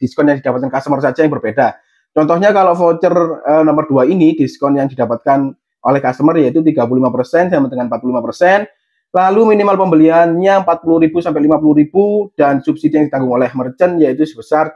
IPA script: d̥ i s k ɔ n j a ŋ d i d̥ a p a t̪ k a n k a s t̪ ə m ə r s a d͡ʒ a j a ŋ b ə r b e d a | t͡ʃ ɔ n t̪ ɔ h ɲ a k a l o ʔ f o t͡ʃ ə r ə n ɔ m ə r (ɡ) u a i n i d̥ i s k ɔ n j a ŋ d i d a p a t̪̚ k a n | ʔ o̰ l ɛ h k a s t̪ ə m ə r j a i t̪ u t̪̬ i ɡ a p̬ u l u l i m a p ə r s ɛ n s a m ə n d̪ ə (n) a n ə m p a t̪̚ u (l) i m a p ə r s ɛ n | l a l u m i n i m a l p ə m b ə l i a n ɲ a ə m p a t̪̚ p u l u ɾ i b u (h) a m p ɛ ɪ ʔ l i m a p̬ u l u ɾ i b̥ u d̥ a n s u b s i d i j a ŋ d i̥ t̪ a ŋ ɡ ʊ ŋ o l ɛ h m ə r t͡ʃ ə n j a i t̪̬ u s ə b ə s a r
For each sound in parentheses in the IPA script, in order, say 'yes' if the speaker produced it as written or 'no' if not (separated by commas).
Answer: no, no, yes, no